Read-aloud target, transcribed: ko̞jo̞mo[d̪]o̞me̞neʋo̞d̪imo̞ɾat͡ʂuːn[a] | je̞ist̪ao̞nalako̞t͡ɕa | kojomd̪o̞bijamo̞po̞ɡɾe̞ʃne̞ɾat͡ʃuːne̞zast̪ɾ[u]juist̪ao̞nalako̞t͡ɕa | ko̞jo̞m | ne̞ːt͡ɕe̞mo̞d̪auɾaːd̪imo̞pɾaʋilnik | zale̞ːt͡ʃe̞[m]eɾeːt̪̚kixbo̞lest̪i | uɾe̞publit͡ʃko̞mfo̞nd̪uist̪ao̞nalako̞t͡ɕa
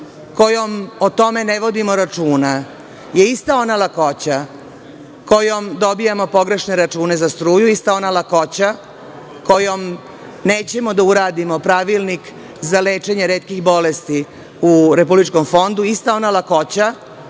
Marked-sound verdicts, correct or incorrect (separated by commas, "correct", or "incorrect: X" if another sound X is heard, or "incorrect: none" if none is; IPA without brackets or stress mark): incorrect: t̪, correct, incorrect: uː, incorrect: ɲ